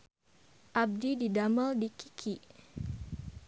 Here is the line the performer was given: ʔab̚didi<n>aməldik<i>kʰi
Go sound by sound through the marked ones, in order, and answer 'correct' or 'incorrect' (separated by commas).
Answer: incorrect, correct